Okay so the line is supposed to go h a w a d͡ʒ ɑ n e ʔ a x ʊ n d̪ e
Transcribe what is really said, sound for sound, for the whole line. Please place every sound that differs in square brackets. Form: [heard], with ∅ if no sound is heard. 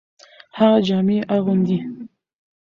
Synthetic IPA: h a [ɣ] a d͡ʒ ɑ [m] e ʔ a [ɣ] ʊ n d̪ [i]